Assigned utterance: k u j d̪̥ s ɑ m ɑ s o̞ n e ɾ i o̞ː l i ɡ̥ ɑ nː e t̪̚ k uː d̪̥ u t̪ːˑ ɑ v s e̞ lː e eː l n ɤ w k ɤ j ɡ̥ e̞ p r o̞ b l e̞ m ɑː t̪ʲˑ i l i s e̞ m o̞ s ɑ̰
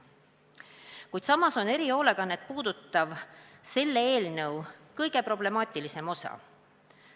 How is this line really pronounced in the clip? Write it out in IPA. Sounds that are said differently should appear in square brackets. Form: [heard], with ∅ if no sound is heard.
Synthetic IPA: k u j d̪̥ s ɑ m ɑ s o̞ n e ɾ i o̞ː l [e] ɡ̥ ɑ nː e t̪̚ [p] uː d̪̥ u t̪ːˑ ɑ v s e̞ lː e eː l n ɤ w k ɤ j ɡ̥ e̞ p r o̞ b l e̞ m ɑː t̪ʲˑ i l i s e̞ m o̞ s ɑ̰